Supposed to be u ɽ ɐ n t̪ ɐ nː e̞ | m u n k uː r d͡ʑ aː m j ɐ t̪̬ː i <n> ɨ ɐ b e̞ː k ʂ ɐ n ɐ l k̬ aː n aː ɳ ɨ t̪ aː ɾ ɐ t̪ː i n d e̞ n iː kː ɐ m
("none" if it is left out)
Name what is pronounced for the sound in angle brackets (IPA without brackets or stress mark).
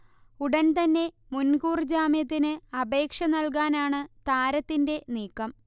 n